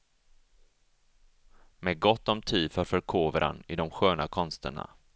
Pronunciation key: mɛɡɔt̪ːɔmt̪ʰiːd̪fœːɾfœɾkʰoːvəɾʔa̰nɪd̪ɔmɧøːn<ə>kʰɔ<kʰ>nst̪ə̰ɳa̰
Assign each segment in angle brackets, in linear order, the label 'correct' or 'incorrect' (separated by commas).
incorrect, incorrect